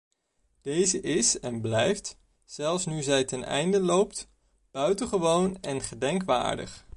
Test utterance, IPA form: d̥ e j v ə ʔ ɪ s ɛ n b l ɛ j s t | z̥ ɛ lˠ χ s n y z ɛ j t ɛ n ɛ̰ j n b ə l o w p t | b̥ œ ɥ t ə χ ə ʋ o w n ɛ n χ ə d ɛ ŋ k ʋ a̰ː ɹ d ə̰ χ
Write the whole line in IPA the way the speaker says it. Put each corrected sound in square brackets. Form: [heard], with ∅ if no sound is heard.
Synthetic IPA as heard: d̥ e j [z] ə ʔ ɪ s ɛ n b l ɛ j [f] t | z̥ ɛ lˠ [f] s n y z ɛ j t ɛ n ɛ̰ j n [d] ə l o w p t | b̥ œ ɥ t ə χ ə ʋ o w n ɛ n χ ə d ɛ ŋ k ʋ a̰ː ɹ d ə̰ χ